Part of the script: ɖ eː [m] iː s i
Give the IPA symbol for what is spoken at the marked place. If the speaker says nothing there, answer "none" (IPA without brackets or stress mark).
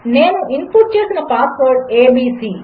b